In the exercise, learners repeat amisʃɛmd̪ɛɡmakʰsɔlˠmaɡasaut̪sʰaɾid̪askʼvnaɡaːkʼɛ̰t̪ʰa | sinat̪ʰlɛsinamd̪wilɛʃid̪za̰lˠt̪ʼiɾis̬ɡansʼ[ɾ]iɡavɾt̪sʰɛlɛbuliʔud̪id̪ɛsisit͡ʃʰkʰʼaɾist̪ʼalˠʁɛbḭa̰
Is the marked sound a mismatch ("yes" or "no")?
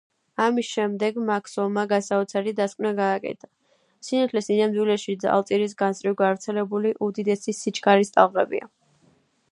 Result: no